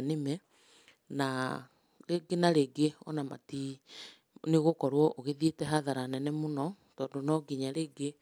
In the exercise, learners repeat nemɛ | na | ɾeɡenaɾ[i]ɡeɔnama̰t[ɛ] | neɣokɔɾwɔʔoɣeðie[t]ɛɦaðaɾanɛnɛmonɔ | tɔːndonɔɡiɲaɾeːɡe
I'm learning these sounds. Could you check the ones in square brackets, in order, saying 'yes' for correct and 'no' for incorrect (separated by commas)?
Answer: no, no, yes